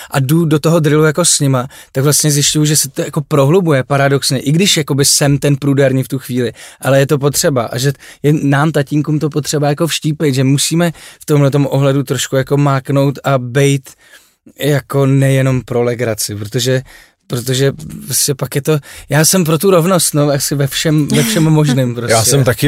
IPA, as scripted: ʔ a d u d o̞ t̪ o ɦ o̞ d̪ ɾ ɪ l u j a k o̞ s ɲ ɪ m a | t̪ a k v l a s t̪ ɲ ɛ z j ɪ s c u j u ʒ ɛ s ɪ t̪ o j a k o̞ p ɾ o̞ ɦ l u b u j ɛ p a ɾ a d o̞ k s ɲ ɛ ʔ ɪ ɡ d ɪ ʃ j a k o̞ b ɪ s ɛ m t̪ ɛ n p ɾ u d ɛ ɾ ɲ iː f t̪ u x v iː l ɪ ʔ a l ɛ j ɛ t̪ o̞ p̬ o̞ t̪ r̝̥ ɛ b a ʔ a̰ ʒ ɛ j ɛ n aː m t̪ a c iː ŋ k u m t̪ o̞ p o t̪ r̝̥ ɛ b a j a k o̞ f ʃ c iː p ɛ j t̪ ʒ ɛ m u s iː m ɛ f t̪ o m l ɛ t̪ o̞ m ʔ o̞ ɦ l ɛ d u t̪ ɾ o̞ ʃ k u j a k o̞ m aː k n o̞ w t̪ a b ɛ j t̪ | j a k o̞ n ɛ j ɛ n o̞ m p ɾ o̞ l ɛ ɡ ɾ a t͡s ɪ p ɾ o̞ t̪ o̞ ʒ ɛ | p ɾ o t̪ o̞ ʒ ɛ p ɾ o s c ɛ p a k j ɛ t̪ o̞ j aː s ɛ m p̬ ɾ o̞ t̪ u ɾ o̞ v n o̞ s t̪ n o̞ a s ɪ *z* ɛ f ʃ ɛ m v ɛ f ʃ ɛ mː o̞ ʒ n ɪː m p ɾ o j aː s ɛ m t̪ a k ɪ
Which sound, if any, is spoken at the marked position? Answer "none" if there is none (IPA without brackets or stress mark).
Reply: v